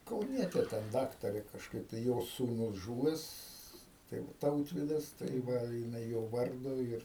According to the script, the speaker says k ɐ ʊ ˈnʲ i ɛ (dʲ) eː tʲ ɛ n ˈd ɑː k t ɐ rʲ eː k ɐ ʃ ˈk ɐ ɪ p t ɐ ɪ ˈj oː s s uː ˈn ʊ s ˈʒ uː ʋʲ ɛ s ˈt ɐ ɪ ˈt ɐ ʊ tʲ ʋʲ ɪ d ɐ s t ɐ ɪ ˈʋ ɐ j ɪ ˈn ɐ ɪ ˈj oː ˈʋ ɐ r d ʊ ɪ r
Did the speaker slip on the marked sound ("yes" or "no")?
yes